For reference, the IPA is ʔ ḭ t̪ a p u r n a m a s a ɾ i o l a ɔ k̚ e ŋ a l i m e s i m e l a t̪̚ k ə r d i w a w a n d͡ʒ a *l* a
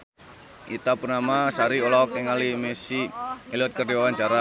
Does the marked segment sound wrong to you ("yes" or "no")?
yes